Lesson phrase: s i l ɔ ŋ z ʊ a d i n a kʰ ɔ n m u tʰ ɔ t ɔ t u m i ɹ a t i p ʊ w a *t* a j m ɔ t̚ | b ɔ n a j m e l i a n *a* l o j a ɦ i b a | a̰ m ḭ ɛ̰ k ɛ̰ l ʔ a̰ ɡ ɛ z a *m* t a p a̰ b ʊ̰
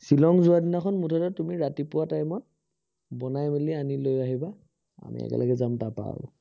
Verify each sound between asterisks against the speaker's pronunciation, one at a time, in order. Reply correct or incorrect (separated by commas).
correct, incorrect, correct